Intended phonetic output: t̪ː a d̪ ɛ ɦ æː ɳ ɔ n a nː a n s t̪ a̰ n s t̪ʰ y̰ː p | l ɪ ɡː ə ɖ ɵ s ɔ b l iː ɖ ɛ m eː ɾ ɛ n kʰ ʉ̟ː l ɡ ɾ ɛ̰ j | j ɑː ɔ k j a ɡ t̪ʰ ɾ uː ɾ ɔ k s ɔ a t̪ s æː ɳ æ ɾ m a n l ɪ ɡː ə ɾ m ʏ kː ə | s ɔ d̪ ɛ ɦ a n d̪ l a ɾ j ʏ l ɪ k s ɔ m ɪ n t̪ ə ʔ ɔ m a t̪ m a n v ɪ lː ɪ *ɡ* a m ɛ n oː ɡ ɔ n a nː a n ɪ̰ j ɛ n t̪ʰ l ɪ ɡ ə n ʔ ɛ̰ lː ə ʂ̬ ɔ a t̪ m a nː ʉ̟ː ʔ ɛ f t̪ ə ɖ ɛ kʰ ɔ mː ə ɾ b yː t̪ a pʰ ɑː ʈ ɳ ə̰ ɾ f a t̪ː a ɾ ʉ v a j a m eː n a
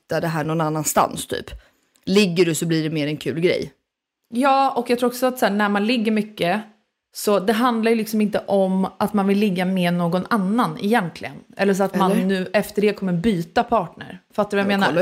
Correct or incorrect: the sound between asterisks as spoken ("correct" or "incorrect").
incorrect